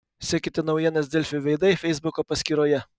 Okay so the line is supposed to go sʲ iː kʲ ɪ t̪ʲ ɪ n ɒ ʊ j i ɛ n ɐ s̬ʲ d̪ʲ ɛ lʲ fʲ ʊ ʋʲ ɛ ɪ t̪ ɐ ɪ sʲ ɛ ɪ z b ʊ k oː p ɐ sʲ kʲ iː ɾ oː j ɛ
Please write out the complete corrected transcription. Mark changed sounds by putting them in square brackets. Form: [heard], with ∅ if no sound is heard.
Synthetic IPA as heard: sʲ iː kʲ ɪ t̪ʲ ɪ n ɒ ʊ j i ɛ n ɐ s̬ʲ d̪ʲ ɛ lʲ fʲ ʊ ʋʲ ɛ ɪ [d̪] ɐ ɪ [fʲ] ɛ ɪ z b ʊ k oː p ɐ sʲ kʲ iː ɾ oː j ɛ